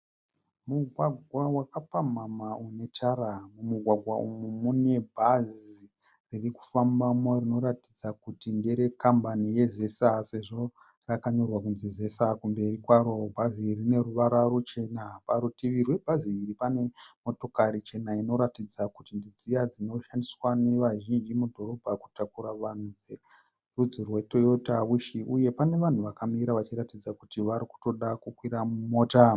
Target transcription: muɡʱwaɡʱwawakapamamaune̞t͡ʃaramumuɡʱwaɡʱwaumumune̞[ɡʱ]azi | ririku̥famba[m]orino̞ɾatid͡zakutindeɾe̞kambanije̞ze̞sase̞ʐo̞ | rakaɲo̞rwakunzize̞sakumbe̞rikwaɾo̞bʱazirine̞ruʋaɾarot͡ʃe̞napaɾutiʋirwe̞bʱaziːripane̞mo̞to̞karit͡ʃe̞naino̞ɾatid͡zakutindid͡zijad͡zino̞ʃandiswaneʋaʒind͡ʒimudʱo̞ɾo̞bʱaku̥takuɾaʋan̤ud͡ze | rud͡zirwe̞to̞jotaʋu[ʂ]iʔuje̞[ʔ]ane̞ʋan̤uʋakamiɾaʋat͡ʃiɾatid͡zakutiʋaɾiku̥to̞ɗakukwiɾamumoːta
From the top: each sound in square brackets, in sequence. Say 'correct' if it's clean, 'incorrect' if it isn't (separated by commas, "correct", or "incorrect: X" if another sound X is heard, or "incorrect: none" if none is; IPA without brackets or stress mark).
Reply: incorrect: bʱ, correct, incorrect: ʃ, incorrect: p